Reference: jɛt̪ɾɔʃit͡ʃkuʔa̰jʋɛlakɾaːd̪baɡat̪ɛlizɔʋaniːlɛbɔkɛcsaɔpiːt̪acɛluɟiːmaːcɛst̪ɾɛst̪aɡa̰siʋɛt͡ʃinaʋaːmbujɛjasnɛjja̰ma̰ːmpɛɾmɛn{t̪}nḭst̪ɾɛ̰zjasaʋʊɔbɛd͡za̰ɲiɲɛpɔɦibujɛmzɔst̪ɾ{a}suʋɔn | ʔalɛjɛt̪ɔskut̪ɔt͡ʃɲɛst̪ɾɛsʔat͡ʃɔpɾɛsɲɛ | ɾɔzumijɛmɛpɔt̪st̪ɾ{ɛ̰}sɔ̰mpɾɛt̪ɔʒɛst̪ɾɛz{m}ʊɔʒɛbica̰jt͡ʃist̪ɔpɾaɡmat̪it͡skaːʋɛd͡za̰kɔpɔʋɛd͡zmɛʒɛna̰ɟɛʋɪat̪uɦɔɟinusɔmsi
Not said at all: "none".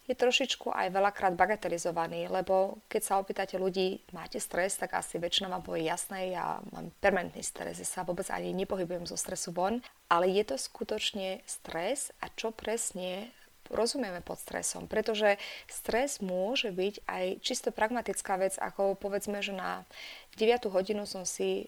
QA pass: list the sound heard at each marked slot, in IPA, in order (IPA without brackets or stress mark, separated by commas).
t̪, ɛ, ɛ̰, m